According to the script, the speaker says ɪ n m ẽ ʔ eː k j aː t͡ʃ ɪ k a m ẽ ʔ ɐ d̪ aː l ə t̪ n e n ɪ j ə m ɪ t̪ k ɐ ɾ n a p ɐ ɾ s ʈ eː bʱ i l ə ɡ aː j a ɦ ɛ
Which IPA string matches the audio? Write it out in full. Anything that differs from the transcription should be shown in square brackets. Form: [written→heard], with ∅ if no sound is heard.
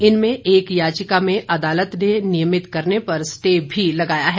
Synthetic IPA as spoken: ɪ n m ẽ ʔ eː k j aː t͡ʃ ɪ k a m ẽ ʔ ɐ d̪ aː l ə t̪ n e n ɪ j ə m ɪ t̪ k ɐ ɾ n [a→e] p ɐ ɾ s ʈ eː bʱ i l [ə→ɐ] ɡ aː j a ɦ ɛ